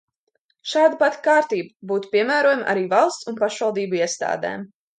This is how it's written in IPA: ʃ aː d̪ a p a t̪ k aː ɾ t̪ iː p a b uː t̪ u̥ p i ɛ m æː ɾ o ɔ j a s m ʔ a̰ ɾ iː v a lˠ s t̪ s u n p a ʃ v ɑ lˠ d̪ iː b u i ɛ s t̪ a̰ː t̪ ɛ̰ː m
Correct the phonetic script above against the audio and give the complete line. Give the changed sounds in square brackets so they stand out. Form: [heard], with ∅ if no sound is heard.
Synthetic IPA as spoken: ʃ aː d̪ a p a t̪ k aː ɾ t̪ iː [b] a b uː t̪ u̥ p i ɛ m æː ɾ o ɔ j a [∅] m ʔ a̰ ɾ iː v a lˠ s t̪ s u n p a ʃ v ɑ lˠ d̪ iː b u i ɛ s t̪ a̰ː [d̪] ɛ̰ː m

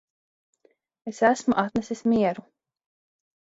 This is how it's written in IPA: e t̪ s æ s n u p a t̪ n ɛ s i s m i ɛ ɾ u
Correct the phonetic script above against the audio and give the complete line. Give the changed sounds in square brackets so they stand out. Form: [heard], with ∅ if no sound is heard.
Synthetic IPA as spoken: e [∅] s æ s [m] u [ʔ] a t̪ n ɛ s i s m i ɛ ɾ u

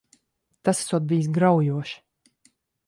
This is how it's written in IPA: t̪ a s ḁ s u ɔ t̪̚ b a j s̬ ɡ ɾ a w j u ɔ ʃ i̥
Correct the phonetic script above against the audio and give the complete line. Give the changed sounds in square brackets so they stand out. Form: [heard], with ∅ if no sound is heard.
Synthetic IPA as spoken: t̪ a s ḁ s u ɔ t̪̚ b [i] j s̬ ɡ ɾ a w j u ɔ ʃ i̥

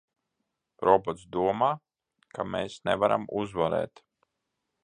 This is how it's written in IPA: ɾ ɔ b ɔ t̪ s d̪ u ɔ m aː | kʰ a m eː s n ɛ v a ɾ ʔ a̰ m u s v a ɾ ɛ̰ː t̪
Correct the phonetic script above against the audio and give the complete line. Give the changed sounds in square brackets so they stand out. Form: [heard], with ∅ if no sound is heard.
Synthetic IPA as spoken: ɾ ɔ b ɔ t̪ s d̪ u ɔ m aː | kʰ a m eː s n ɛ v a ɾ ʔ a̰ m u [z] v a ɾ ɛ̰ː t̪

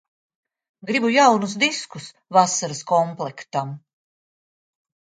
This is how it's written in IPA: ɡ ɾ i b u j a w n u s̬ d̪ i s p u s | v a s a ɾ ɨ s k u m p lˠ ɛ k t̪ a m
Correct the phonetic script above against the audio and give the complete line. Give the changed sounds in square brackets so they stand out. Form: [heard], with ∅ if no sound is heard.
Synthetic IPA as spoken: ɡ ɾ i b u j a w n u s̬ d̪ i s [k] u s | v a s a ɾ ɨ s k [ɔ] m p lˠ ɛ k t̪ a m

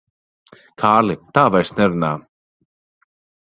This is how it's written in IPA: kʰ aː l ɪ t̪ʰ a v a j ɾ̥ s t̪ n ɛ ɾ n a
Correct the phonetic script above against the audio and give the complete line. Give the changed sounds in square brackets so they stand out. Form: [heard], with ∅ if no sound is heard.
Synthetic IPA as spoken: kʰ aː l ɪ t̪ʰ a v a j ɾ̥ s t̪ n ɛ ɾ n a

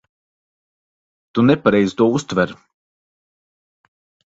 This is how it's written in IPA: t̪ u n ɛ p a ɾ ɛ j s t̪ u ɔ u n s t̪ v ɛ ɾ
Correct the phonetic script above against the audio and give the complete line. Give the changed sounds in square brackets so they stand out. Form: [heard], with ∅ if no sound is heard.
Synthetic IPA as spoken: t̪ u n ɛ p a ɾ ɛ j [z] t̪ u ɔ u [∅] s t̪ v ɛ ɾ

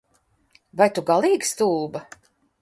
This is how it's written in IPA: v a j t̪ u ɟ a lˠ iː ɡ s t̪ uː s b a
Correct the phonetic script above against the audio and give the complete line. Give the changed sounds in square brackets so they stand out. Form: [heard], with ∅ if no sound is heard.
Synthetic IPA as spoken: v a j t̪ u [ɡ] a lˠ iː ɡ s t̪ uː [∅] b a

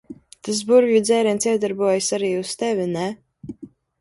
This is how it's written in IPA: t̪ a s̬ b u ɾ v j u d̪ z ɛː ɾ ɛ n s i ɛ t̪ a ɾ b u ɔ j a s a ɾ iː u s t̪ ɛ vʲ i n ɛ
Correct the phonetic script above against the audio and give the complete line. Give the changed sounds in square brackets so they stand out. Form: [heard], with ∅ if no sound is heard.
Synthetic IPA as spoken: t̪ a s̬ b u ɾ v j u d̪ z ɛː ɾ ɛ n s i ɛ [d̪] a ɾ b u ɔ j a s a ɾ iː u s t̪ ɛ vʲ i n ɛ

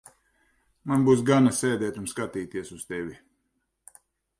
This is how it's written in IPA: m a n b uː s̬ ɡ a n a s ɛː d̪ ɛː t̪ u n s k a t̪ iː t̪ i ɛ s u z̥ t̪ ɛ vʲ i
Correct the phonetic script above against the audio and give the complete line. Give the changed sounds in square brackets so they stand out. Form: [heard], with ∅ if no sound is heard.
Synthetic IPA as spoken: m a n b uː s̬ ɡ a n a s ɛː d̪ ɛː t̪ u n s k a t̪ iː t̪ i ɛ s u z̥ t̪ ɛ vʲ i

